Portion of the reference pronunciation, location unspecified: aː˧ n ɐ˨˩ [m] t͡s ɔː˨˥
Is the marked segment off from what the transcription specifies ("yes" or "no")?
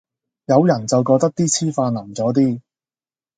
no